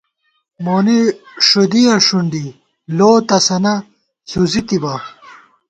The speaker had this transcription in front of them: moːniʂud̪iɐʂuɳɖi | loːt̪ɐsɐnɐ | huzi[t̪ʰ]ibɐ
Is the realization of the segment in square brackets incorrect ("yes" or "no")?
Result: yes